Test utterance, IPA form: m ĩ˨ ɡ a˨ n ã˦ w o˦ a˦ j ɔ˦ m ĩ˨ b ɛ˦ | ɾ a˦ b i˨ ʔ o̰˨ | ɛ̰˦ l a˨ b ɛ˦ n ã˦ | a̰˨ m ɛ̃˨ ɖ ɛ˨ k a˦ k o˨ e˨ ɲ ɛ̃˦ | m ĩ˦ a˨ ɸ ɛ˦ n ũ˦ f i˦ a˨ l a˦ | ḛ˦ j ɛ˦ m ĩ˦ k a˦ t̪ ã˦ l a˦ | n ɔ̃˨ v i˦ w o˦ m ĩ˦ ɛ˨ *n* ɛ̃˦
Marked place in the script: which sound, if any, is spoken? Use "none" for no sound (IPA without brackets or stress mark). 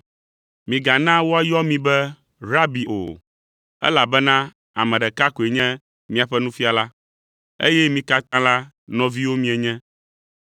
ɲ